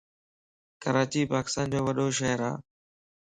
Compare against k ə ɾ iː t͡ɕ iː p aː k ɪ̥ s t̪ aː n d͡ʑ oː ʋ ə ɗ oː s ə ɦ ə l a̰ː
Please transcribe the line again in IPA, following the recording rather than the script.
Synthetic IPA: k ə ɾ aː t͡ɕ iː p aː k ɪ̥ s t̪ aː n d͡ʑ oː ʋ ə ɗ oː ʃ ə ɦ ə ɾ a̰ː

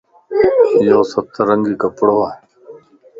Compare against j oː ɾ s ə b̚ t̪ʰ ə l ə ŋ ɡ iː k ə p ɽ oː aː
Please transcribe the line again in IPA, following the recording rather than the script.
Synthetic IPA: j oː s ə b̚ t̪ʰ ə ɾ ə ŋ ɡ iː k ə p ɽ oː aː

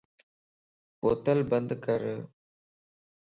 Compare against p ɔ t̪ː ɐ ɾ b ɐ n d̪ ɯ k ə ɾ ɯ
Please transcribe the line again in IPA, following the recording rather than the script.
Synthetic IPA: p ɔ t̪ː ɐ l b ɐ n d̪ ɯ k ɐ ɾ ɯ

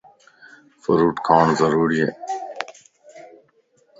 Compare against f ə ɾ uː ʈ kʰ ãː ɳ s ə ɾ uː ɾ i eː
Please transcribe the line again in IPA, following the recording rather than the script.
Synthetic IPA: f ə ɾ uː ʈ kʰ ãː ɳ z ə ɾ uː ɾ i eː

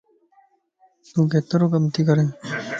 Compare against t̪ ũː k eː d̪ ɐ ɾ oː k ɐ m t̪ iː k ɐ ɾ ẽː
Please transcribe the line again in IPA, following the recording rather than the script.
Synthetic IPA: t̪ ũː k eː t̪ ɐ ɾ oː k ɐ m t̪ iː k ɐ ɾ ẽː

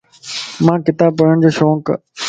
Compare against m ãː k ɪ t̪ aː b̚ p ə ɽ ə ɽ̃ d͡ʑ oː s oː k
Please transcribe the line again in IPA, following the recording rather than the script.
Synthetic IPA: m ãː k ɪ t̪ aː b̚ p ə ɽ ə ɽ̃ d͡ʑ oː ʃ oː k

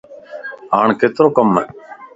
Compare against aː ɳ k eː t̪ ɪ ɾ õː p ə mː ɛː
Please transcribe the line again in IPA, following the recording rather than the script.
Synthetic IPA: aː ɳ k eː t̪ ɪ ɾ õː k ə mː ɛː

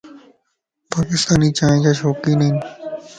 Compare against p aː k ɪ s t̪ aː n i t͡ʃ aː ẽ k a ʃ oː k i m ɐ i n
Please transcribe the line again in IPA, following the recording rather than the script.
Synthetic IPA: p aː k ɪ s t̪ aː n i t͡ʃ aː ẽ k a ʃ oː k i n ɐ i n

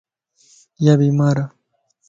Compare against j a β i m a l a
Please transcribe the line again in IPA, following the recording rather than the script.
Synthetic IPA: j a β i m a ɾ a

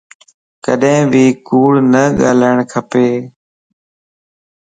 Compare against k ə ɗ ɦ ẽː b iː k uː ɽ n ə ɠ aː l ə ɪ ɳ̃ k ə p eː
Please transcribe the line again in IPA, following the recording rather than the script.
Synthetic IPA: k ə ɗ ɦ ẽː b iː k uː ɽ n ə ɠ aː l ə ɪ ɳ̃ kʰ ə p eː

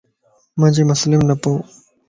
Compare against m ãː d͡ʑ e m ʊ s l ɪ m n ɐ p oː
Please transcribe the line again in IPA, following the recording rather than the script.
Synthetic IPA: m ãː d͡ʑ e m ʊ s l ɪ m n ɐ p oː

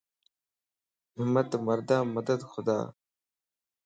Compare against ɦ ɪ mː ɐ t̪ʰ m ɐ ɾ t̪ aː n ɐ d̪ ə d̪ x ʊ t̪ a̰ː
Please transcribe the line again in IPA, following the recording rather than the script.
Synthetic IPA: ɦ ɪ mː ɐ t̪ m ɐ ɾ d̪ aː m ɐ d̪ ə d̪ x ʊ d̪ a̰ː

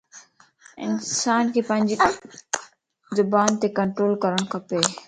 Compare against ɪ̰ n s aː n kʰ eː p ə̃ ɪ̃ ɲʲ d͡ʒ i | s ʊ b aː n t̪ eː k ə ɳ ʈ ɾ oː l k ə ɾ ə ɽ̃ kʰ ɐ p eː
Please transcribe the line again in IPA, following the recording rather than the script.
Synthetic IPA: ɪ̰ n s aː n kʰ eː p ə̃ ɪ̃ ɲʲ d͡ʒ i | z ʊ b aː n t̪ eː k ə ɳ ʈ ɾ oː l k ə ɾ ə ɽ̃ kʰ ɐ p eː

